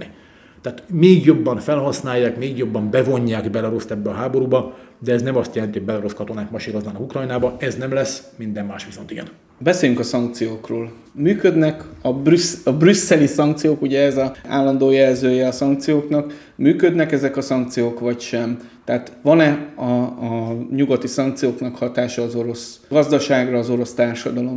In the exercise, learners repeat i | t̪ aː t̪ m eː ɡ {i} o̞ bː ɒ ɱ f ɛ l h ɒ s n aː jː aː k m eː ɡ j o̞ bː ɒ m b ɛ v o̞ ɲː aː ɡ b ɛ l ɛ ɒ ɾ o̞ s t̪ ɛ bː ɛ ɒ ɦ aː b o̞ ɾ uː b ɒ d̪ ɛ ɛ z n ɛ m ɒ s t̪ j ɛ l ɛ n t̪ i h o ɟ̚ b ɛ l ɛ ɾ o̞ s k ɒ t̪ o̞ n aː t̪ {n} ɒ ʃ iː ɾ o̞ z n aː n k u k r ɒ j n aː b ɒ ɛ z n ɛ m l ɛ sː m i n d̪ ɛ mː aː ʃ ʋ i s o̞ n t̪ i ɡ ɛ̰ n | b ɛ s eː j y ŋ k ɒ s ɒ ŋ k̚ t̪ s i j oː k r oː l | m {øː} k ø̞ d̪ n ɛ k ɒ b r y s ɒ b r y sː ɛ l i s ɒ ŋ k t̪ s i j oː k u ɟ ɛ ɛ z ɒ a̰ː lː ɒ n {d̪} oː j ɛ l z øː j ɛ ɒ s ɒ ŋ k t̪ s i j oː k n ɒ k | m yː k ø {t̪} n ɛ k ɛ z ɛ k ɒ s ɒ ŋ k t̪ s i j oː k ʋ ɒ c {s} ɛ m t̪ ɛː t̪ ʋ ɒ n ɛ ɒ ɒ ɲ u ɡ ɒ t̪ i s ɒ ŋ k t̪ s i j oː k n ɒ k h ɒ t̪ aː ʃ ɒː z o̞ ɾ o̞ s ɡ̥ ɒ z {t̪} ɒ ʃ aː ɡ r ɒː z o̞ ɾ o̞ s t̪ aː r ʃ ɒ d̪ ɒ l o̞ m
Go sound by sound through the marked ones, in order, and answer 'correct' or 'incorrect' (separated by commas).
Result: incorrect, incorrect, incorrect, correct, incorrect, incorrect, incorrect